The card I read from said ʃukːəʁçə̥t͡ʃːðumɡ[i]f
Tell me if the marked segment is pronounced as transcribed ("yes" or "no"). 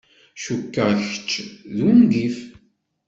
yes